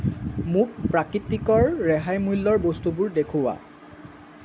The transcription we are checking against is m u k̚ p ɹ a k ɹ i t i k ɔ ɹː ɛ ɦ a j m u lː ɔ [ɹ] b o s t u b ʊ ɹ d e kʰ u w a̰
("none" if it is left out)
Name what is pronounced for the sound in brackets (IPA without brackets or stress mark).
ɹ